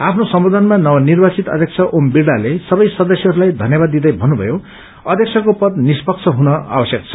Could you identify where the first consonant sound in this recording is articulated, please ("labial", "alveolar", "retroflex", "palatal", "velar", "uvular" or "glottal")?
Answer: labial